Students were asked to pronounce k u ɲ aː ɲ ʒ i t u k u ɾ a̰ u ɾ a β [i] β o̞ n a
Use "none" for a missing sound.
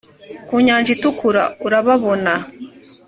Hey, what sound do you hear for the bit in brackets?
a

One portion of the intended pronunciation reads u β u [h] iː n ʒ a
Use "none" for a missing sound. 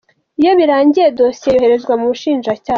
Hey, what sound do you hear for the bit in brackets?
ʃ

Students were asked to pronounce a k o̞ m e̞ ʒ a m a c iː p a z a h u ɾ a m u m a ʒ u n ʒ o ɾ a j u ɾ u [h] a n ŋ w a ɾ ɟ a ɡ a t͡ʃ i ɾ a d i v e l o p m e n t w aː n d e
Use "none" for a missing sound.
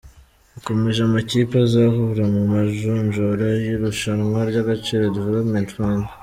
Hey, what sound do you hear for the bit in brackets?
ʃ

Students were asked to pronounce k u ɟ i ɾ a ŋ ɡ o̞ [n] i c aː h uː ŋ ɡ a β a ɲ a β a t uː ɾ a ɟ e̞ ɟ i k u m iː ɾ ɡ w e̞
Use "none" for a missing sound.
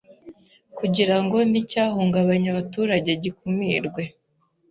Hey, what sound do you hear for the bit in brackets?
n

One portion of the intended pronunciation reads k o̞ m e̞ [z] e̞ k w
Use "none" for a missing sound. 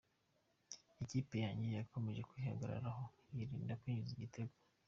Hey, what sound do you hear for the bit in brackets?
ʒ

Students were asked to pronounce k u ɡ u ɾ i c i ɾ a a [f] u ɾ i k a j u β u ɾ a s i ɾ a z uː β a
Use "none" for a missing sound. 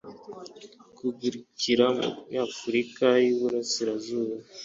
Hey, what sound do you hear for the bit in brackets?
f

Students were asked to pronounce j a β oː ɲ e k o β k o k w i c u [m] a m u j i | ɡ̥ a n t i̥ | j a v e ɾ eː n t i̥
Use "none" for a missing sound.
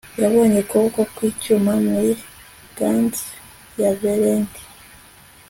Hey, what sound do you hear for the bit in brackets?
m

